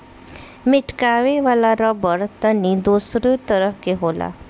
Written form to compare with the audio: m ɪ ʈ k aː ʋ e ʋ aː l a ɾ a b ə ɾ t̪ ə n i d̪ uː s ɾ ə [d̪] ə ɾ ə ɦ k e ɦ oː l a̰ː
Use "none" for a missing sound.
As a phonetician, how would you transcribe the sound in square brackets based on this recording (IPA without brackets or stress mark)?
t̪